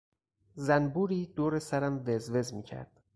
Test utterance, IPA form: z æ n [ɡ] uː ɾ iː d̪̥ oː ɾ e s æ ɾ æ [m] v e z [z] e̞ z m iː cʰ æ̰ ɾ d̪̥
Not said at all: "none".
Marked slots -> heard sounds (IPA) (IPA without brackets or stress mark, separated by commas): b, m, v